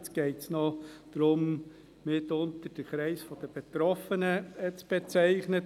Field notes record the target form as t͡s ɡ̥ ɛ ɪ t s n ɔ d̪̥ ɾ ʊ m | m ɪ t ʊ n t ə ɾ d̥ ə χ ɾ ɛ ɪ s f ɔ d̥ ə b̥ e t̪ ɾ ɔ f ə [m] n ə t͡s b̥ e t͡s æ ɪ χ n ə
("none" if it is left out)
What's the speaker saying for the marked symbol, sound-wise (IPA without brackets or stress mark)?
none